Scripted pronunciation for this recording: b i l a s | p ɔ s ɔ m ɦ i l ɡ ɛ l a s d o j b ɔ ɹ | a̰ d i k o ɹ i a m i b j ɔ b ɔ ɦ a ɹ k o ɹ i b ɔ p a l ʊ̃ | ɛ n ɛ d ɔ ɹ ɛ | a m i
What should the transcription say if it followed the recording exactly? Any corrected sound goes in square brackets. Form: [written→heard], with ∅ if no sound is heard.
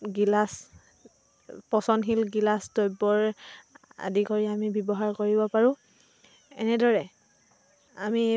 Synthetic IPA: [b→ɡ] i l a s | p ɔ s ɔ [m→n] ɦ i l ɡ [ɛ→i] l a s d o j b ɔ ɹ | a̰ d i k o ɹ i a m i b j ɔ b ɔ ɦ a ɹ k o ɹ i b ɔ p a [l→ɹ] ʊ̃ | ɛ n ɛ d ɔ ɹ ɛ | a m i